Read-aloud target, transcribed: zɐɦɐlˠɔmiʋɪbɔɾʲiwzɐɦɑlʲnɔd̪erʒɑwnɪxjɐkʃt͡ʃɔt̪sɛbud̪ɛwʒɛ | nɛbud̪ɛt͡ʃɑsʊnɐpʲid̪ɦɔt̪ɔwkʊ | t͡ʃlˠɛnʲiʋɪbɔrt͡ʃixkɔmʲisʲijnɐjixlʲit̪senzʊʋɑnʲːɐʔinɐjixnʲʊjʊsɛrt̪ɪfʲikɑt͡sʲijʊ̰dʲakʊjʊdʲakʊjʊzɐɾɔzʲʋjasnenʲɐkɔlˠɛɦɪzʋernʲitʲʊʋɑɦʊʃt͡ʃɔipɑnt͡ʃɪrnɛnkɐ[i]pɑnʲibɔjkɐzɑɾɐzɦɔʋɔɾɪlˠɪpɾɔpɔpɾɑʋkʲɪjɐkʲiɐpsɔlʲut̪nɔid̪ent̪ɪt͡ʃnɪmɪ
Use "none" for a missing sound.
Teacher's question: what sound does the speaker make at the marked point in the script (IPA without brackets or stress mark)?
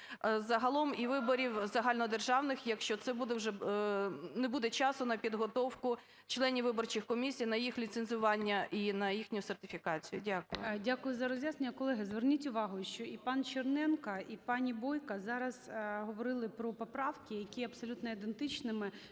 i